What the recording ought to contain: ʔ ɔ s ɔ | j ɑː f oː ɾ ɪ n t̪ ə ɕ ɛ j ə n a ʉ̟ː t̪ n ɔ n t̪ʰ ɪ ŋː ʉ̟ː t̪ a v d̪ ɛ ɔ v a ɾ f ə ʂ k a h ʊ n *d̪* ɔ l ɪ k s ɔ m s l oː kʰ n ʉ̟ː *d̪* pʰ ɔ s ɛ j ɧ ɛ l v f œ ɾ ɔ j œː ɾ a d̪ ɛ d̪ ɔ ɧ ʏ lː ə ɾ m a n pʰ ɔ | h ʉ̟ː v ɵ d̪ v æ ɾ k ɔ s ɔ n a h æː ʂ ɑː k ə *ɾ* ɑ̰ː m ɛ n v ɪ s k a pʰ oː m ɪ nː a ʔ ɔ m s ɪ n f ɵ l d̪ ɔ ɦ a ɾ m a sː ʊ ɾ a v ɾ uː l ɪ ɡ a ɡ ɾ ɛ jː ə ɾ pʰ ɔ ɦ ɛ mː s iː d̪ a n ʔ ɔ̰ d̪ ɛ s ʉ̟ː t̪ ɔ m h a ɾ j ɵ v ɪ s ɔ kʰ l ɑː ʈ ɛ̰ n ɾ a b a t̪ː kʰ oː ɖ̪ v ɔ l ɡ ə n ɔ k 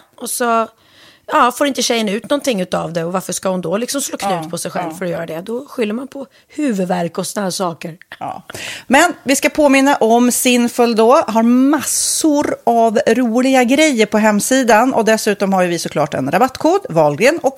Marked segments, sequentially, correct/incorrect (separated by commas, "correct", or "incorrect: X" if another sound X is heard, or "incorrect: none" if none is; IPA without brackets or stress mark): correct, incorrect: t̪, correct